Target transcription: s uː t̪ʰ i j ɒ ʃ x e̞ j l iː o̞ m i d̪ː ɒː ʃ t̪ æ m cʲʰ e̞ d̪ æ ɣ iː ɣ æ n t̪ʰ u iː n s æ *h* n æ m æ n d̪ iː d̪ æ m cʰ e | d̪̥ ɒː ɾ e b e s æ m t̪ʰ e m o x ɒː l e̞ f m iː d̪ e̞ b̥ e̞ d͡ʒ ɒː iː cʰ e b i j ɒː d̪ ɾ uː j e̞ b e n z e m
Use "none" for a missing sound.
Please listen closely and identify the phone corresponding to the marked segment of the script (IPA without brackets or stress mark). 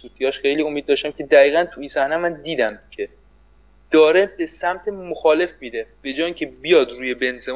h